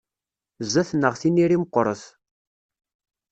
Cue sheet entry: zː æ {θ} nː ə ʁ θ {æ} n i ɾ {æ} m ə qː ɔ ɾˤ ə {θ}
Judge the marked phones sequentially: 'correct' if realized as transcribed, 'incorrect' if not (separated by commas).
correct, incorrect, incorrect, correct